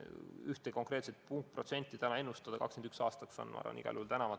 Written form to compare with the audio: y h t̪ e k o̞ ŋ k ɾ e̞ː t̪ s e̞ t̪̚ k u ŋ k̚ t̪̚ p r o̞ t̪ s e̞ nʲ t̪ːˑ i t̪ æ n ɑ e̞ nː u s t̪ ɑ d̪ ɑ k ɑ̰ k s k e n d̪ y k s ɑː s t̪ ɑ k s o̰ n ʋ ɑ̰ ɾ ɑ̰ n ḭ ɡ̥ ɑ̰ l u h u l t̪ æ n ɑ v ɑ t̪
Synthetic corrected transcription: y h t̪ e k o̞ ŋ k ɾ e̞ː t̪ s e̞ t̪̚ p u ŋ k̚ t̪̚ p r o̞ t̪ s e̞ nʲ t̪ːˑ i t̪ æ n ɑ e̞ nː u s t̪ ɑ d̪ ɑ k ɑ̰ k s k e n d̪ y k s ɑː s t̪ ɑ k s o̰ n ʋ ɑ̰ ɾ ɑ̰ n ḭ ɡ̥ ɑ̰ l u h u l t̪ æ n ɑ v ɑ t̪